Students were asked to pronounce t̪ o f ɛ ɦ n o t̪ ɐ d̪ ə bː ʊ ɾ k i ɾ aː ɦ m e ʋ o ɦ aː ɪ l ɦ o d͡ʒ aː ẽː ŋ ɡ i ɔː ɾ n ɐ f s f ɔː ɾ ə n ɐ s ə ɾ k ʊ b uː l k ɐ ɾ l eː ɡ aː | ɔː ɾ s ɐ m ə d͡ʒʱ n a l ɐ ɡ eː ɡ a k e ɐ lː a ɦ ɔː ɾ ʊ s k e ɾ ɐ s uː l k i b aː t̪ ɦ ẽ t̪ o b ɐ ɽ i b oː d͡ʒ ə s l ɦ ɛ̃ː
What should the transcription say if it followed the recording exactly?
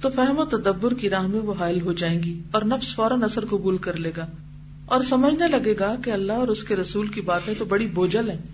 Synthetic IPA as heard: t̪ o f ɛ ɦ m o t̪ ɐ d̪ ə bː ʊ ɾ k i ɾ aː ɦ m ẽ ʋ o ɦ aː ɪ l ɦ o d͡ʒ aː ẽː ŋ ɡ i ɔː ɾ n ɐ f s f ɔː ɾ ə n ɐ s ə ɾ k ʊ b uː l k ɐ ɾ l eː ɡ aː | ɔː ɾ s ɐ m ə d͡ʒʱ n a l ɐ ɡ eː ɡ a k e ɐ lː a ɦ ɔː ɾ ʊ s k e ɾ ɐ s uː l k i b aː t̪ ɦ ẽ t̪ o b ɐ ɽ i b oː d͡ʒ ə l ɦ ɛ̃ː